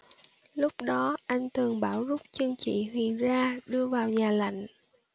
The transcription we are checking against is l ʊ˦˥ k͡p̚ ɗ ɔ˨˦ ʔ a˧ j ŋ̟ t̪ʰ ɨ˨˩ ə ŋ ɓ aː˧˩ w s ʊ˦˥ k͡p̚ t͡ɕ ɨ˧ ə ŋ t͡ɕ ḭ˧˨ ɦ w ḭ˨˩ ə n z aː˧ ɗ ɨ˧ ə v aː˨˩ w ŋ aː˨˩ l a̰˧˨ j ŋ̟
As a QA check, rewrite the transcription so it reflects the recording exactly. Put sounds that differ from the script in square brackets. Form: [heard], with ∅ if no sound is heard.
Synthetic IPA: l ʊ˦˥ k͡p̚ ɗ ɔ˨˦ ʔ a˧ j ŋ̟ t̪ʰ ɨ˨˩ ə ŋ ɓ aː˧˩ w [z] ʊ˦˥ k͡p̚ t͡ɕ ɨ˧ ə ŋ t͡ɕ ḭ˧˨ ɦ w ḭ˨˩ ə n z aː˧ ɗ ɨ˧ ə v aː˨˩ w [ɲ] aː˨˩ l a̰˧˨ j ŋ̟